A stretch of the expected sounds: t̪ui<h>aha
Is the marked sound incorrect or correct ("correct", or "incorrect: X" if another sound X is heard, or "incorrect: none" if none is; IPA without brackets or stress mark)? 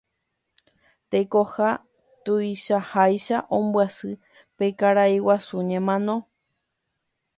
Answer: incorrect: ʃ